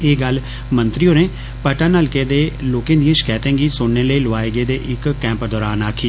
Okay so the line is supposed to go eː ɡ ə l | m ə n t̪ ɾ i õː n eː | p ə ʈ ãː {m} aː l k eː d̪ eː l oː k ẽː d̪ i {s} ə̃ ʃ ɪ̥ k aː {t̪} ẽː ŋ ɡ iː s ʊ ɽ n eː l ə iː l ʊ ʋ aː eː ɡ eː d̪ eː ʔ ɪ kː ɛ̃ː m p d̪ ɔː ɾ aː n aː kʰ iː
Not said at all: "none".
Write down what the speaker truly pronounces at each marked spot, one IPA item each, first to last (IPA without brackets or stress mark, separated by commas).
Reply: n, none, t̪